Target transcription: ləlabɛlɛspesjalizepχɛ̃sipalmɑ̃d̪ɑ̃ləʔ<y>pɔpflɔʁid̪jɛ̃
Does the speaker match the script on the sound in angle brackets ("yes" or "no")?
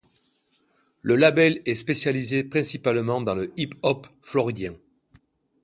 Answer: no